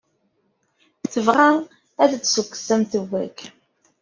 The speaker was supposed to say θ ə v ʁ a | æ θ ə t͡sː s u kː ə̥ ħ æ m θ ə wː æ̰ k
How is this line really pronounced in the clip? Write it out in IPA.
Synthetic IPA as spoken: θ ə v ʁ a | æ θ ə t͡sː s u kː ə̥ s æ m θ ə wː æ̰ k

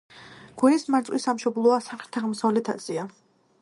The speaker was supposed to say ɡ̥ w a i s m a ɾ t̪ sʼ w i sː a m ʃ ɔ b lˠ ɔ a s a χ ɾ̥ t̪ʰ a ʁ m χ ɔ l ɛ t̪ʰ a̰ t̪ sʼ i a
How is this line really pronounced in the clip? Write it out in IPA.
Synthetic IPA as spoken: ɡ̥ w ɛ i s m a ɾ t̪ sʼ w i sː a m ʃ ɔ b lˠ ɔ a s a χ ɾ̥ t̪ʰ a ʁ m s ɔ l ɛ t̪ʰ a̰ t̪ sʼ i a

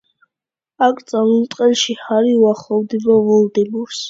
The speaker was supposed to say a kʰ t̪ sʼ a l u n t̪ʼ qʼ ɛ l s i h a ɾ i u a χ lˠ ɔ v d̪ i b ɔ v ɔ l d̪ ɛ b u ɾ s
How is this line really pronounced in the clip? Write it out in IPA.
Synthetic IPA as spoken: a kʰ t̪ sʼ a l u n t̪ʼ qʼ ɛ l ʃ i h a ɾ i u a χ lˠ ɔ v d̪ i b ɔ v ɔ l d̪ ɛ b u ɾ s

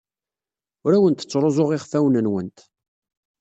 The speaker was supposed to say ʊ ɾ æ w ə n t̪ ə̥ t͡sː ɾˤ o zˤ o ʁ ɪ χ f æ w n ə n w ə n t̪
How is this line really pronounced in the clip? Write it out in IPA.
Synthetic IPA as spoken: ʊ ɾ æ w ə n t̪ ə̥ t͡sː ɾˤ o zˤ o ʁ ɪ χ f æ w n ə n w ə n t̪

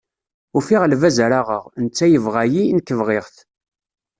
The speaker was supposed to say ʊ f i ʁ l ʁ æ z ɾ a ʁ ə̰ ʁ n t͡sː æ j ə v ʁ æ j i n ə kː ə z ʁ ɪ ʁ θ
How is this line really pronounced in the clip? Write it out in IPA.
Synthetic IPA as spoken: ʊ f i ʁ l v æ z ɾ a ʁ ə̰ ʁ n t͡sː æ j ə v ʁ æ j i n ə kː ə v ʁ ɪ ʁ θ

